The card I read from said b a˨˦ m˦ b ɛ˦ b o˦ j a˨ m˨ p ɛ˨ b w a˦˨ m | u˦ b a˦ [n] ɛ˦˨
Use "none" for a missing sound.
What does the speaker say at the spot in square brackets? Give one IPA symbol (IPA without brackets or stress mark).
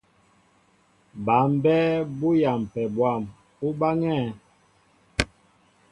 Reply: ŋ